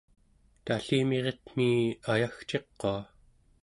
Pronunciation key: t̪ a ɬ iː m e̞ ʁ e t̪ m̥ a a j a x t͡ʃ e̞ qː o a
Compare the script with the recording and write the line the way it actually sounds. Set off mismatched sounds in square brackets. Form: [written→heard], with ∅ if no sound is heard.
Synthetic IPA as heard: t̪ a ɬ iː m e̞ ʁ e t̪ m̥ [a→i] a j a x t͡ʃ e̞ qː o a

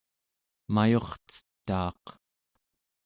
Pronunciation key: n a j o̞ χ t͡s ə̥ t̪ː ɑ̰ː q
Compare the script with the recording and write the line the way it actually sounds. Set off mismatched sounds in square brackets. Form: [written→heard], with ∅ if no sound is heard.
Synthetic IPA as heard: [n→m] a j o̞ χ t͡s ə̥ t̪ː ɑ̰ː q

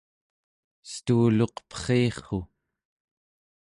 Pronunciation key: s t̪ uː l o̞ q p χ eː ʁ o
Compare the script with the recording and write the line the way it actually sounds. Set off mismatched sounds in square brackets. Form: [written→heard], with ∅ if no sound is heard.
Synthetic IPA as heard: s t̪ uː l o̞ q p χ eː [ʁ→χ] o

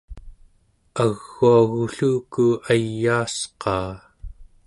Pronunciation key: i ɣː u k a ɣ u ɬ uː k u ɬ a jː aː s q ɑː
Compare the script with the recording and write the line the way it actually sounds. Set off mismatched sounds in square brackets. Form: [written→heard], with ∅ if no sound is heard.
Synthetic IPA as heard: [i→a] ɣː u [k→∅] a ɣ u ɬ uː k u [ɬ→∅] a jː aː s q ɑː

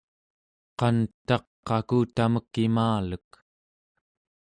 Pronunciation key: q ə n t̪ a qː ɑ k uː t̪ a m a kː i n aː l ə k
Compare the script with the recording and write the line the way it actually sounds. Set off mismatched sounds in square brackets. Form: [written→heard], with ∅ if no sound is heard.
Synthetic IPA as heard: q [ə→ɑ] n t̪ [a→ɑ] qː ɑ k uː t̪ a m [a→ə] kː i [n→m] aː l ə k

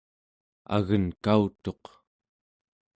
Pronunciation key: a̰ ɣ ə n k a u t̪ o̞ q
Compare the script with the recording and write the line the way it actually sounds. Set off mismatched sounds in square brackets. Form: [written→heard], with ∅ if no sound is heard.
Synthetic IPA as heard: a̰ ɣ ə n k a u t̪ o̞ q

